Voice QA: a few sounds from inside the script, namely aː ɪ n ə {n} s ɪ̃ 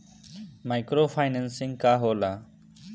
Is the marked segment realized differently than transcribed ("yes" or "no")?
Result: no